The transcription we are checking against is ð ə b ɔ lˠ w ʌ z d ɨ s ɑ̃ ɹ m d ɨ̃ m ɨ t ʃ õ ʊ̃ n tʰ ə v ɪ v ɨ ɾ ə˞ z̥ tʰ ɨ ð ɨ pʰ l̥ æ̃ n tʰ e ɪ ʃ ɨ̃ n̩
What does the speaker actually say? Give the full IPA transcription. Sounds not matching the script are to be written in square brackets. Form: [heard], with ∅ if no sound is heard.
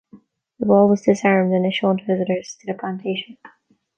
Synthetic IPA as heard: ð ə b ɔ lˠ w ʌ z d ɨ s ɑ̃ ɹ m d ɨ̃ [n] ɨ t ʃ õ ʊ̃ n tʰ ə v ɪ [z] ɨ ɾ ə˞ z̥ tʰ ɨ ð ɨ pʰ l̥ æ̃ n tʰ e ɪ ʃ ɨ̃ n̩

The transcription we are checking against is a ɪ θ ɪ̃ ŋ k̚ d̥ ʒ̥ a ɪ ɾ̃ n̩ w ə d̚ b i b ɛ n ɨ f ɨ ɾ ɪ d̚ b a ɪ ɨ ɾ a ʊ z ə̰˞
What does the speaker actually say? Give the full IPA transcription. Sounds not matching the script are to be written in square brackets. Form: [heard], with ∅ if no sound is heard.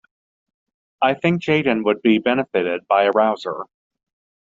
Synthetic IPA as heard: a ɪ θ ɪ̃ ŋ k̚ d̥ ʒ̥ [e] ɪ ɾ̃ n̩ w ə d̚ b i b ɛ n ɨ f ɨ ɾ ɪ d̚ b a ɪ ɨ [ɹ] a ʊ z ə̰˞

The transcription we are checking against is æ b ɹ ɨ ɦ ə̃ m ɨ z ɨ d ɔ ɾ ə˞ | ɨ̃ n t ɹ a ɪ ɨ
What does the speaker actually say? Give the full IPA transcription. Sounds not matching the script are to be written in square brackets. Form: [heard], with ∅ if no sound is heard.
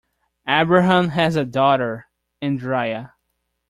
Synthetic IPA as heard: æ b ɹ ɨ ɦ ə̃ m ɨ z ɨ d ɔ ɾ ə˞ | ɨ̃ n [d] ɹ a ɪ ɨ

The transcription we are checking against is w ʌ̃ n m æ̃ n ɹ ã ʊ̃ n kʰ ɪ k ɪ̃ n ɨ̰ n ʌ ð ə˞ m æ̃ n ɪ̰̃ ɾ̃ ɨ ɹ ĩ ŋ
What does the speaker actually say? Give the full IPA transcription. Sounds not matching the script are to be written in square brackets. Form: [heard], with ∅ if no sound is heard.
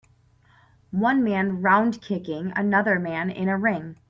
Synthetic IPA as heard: w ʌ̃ n m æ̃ n ɹ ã ʊ̃ n kʰ ɪ k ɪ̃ [ŋ] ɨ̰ n ʌ ð ə˞ m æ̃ n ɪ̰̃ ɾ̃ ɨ ɹ [ɪ̃] ŋ

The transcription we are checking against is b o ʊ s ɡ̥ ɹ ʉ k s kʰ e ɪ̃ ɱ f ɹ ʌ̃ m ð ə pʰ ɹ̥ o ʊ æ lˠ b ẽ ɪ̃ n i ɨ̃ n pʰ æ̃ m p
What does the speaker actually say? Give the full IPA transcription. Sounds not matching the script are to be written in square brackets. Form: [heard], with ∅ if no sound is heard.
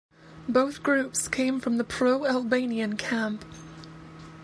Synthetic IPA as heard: b o ʊ [θ] ɡ̥ ɹ ʉ [p] s kʰ [ẽ] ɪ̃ ɱ f ɹ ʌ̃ m ð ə pʰ ɹ̥ o ʊ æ lˠ b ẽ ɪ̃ n i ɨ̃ n [kʰ] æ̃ m p

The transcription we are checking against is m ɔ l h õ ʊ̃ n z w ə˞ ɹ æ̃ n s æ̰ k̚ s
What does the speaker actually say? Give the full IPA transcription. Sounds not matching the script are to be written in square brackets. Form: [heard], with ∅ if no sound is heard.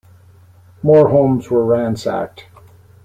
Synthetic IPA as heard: m ɔ [ɹ] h õ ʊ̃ [m] z w ə˞ ɹ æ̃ n s æ̰ k̚ [t]

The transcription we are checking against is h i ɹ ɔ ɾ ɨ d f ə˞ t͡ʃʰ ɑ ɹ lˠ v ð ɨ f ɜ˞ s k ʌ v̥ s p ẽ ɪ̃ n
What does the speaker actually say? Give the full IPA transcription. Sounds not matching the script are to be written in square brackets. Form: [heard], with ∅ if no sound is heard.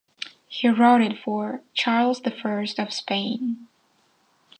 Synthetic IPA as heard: h i ɹ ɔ ɾ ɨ d f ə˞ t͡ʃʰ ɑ ɹ lˠ [z] ð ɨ f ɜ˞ s [t] ʌ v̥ s p ẽ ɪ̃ n

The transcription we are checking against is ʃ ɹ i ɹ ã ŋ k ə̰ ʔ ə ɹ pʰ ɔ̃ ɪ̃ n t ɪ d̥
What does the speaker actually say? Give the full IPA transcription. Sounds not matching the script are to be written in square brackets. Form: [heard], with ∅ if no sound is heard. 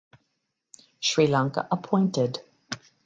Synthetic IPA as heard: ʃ ɹ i [l] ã ŋ k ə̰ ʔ ə [∅] pʰ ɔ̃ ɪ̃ n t ɪ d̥

